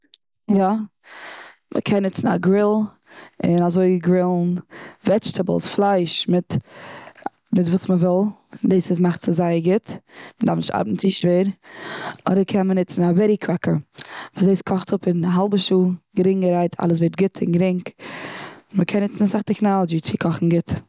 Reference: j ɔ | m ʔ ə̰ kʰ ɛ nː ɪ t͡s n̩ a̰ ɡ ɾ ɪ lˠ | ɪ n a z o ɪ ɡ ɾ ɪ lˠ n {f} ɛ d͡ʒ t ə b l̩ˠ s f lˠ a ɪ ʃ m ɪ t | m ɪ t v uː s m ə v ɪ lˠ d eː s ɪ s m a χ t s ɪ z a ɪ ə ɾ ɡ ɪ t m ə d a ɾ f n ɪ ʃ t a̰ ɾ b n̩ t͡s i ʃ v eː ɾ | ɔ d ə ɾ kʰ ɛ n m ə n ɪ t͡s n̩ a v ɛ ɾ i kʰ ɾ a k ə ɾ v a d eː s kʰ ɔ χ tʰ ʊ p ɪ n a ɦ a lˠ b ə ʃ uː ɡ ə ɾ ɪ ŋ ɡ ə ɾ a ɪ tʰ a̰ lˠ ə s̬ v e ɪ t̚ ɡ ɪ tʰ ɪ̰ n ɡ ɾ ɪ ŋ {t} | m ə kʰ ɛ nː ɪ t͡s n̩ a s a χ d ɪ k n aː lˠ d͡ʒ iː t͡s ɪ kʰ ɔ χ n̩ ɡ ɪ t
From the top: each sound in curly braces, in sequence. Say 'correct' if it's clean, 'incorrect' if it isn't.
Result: incorrect: v, incorrect: k

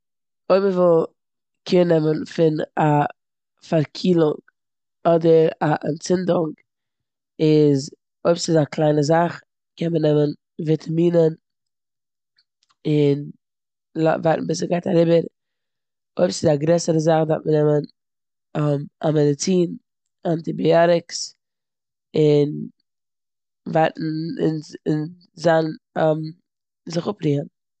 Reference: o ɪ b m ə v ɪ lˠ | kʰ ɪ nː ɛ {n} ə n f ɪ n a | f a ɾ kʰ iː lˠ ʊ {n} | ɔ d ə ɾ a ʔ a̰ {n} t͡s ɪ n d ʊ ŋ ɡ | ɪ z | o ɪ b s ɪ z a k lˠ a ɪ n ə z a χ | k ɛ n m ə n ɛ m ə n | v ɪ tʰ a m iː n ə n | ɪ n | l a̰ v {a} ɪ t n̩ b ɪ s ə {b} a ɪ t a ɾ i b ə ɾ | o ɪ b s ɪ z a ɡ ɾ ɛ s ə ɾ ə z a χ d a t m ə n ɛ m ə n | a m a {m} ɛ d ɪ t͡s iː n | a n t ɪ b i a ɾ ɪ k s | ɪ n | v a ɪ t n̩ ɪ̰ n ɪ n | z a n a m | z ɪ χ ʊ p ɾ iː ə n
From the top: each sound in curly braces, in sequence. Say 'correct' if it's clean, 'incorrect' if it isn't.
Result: incorrect: m, incorrect: ŋ, correct, correct, incorrect: ɡ, correct

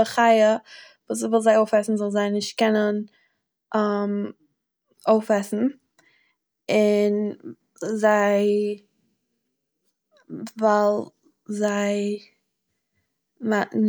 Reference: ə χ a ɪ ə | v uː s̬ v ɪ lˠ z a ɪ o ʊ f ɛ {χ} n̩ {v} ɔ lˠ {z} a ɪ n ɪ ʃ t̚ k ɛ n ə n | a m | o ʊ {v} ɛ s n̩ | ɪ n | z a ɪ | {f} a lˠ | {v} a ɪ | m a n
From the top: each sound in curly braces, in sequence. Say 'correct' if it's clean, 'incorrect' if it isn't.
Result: incorrect: s, incorrect: z, correct, incorrect: f, incorrect: v, incorrect: z

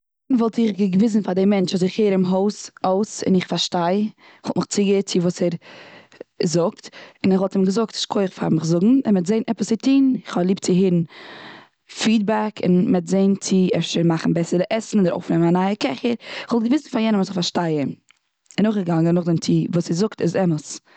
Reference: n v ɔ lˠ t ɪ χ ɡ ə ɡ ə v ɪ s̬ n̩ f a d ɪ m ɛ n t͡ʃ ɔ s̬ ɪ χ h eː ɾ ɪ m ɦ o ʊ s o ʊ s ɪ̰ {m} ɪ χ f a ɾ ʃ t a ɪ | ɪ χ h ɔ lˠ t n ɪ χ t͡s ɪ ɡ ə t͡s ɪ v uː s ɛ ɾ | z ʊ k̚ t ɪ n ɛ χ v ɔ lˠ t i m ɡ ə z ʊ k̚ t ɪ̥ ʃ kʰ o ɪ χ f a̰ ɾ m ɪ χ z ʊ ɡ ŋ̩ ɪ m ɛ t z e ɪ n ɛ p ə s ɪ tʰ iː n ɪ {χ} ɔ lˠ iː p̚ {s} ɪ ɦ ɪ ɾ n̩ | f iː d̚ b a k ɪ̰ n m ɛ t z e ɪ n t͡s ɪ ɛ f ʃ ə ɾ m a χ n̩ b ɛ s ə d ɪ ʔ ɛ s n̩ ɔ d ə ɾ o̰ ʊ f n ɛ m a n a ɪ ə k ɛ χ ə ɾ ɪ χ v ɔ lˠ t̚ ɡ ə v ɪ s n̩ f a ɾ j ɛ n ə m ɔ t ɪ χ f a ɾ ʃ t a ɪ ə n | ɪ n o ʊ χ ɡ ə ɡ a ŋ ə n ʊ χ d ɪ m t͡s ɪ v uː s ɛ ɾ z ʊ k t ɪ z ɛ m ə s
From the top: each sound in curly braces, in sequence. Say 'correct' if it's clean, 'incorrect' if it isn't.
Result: incorrect: n, correct, incorrect: t͡s

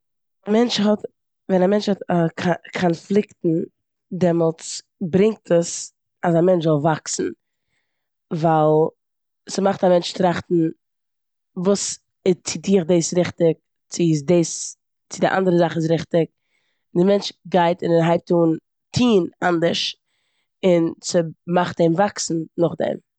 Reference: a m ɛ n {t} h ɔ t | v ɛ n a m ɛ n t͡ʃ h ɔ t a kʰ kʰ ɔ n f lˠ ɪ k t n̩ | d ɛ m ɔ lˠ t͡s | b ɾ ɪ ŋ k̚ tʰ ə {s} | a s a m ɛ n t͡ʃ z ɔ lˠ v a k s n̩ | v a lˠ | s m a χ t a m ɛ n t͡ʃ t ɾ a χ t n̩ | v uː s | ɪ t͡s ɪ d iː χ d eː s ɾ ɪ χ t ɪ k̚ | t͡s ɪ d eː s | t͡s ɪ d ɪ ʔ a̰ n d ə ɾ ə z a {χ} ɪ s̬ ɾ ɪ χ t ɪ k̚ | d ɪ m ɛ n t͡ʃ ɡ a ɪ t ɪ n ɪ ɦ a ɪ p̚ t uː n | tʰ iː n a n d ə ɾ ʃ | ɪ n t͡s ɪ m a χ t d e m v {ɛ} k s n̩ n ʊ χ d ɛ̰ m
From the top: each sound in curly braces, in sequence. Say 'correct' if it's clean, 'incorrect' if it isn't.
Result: incorrect: t͡ʃ, correct, correct, incorrect: a

